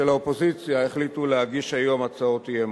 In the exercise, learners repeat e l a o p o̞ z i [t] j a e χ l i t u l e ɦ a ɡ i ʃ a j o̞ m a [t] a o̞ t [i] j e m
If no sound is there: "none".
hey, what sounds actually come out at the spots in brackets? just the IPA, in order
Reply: t͡s, t͡s, i

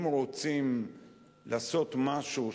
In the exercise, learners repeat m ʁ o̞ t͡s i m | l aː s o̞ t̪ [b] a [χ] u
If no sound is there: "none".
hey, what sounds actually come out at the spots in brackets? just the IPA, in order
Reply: m, ʃ

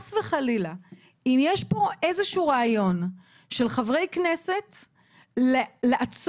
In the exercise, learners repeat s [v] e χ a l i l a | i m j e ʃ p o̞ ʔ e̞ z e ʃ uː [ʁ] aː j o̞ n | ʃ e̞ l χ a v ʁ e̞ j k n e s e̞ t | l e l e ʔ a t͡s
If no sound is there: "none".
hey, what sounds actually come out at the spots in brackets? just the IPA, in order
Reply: v, ʁ

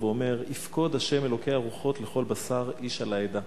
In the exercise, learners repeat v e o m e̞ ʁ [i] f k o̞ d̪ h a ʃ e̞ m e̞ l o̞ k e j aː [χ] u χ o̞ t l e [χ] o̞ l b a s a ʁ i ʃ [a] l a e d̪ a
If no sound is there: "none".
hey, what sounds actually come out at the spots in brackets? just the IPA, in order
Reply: i, ʁ, χ, a

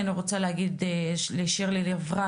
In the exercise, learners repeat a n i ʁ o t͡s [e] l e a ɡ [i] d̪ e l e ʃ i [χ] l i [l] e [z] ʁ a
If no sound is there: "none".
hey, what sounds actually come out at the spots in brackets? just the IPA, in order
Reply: a, i, ʁ, l, v

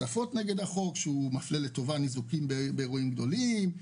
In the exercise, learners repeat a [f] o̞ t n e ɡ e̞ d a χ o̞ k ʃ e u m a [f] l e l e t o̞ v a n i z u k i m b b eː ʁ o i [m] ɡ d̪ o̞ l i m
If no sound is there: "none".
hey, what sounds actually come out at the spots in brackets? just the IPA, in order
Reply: f, f, m

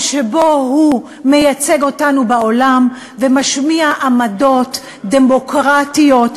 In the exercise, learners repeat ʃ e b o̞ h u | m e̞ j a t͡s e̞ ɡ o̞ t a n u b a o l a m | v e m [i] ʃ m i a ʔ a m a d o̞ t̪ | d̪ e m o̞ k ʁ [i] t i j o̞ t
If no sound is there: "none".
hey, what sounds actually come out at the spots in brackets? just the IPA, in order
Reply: a, a

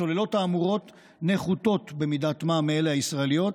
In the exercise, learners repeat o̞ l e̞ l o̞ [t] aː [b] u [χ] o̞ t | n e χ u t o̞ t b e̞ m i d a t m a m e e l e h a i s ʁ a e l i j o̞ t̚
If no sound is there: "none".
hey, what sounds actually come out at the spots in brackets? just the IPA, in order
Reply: t, m, ʁ

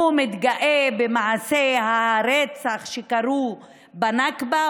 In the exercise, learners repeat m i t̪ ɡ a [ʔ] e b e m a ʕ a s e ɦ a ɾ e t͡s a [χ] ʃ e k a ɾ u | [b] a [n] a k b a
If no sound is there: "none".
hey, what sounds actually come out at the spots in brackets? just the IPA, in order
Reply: ʔ, χ, b, n

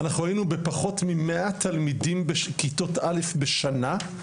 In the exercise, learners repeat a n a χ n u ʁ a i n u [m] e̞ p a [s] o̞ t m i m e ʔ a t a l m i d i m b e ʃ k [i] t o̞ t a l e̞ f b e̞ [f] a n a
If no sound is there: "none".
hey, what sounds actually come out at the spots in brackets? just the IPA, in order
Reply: b, χ, i, ʃ

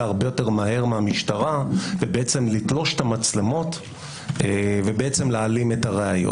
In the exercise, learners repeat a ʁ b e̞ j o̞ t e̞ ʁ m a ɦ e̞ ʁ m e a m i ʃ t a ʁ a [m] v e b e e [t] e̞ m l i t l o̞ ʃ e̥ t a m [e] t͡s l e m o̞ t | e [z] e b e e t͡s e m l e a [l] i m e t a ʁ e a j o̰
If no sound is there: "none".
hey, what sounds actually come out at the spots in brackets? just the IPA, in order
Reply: none, t͡s, a, v, l

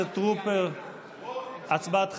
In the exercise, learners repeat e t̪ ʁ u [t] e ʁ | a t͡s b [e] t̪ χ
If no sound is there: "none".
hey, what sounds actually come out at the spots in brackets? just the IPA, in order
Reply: p, a

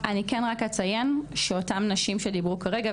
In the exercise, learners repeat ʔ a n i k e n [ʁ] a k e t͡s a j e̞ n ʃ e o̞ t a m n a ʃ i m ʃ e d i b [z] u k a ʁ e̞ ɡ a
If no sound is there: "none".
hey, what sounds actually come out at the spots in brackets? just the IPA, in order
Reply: ʁ, ʁ

